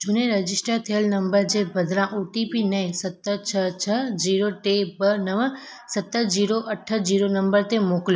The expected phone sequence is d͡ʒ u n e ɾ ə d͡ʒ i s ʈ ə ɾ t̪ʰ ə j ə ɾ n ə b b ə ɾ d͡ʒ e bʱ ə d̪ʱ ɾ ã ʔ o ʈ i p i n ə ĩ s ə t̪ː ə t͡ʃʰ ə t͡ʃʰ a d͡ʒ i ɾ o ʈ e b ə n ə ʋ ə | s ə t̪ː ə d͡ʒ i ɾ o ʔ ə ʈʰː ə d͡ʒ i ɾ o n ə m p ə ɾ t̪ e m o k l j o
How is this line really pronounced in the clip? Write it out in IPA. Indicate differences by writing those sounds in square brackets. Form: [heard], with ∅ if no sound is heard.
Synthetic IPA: d͡ʒ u n e ɾ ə d͡ʒ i s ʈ ə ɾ t̪ʰ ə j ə [l] n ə [m] b ə ɾ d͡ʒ e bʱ ə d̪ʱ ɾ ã ʔ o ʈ i p i n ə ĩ s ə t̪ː ə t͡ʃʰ ə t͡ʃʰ [ə] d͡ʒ i ɾ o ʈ e b ə n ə ʋ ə | s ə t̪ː ə d͡ʒ i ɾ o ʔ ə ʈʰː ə d͡ʒ i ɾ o n ə m [b] ə ɾ t̪ e m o k l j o